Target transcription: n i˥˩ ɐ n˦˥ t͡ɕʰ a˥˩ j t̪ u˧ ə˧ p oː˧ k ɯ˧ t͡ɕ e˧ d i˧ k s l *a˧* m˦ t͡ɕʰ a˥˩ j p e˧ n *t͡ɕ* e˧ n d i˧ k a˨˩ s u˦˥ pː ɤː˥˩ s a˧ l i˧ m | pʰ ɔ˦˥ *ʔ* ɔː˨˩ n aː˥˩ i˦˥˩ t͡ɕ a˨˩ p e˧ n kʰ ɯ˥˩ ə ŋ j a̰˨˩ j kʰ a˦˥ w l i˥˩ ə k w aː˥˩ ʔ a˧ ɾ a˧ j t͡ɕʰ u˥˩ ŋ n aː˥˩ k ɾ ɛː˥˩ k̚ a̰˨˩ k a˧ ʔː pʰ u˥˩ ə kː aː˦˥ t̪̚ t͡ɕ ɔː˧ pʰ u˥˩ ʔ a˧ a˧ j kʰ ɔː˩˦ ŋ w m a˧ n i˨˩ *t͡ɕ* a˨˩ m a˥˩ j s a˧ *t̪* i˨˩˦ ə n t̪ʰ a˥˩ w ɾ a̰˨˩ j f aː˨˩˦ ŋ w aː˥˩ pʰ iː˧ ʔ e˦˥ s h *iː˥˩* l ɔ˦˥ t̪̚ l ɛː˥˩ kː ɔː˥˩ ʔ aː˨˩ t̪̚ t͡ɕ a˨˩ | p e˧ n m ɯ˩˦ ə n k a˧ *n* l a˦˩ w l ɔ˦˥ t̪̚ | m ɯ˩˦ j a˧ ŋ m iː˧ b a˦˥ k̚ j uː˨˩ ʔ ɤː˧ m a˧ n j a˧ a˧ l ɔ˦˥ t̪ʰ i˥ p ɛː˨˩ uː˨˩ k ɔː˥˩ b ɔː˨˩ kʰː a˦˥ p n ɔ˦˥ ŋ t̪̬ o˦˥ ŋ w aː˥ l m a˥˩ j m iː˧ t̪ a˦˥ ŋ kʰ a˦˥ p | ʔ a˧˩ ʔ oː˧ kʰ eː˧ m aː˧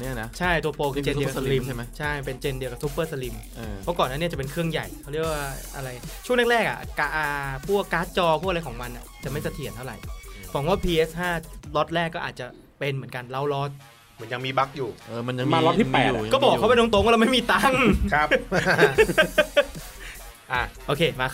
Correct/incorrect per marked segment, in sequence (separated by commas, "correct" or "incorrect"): incorrect, correct, incorrect, correct, incorrect, incorrect, correct